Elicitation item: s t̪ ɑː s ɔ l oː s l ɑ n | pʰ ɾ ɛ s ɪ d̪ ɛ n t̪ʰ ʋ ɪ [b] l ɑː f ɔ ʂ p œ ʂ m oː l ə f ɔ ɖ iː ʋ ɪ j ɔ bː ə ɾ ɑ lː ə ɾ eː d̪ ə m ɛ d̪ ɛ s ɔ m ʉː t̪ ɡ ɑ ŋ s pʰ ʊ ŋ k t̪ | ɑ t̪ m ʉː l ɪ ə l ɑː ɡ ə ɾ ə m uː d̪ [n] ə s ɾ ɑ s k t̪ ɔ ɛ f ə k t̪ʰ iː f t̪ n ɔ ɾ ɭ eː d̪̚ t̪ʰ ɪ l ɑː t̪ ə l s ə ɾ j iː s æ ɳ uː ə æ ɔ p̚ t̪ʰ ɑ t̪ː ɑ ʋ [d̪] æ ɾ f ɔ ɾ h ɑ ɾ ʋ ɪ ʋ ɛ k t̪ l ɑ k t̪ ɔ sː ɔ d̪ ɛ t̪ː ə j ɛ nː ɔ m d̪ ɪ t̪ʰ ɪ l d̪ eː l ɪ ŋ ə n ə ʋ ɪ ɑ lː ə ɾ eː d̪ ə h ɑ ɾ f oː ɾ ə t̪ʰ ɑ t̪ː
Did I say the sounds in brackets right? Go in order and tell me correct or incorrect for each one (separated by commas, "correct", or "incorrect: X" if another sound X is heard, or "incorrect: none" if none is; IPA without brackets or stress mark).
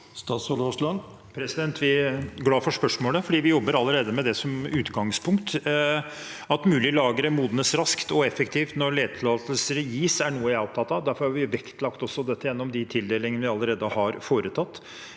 incorrect: ɡ, correct, correct